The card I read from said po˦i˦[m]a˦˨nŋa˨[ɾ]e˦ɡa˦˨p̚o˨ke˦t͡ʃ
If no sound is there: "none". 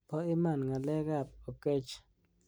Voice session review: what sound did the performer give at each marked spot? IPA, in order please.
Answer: m, l

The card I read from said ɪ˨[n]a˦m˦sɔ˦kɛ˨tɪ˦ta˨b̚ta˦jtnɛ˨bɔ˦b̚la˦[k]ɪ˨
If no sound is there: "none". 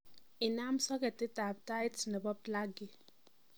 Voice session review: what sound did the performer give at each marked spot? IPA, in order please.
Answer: n, ɡ

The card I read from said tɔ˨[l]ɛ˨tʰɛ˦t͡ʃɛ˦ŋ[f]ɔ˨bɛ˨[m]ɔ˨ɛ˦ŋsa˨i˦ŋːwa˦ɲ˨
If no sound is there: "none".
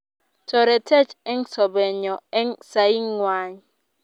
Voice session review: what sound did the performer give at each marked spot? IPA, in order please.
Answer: ɾ, s, ɲ

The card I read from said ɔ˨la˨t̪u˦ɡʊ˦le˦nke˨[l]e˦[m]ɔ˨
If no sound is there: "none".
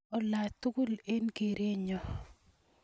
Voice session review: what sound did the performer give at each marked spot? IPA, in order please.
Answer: ɾ, ɲ

